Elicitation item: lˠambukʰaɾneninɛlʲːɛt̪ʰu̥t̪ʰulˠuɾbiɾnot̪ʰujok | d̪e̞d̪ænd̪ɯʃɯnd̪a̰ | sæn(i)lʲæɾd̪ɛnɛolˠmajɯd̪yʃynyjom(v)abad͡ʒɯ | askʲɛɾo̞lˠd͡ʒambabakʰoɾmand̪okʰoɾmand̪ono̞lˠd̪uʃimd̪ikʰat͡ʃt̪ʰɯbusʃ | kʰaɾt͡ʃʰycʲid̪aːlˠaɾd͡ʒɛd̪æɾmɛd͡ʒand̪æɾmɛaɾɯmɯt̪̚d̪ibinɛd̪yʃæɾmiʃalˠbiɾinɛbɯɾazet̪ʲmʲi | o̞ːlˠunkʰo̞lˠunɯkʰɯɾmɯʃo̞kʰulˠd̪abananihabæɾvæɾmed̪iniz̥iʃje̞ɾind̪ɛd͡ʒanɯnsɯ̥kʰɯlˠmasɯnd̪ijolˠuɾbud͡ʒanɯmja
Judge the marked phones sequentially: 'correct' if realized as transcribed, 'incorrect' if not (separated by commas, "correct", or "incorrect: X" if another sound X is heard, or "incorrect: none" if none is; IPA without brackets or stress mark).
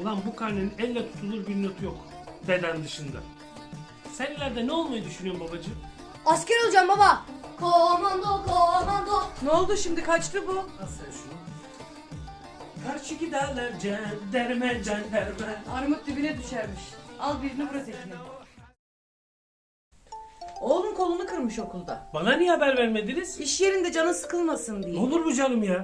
correct, incorrect: b